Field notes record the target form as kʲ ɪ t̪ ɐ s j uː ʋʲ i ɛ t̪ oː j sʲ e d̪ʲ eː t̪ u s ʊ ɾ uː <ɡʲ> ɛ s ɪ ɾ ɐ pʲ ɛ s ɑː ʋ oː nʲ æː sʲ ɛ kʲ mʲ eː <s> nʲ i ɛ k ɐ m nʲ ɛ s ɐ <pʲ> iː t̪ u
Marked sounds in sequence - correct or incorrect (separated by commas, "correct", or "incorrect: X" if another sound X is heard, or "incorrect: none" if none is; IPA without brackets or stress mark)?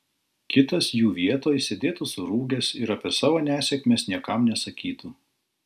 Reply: correct, correct, incorrect: kʲ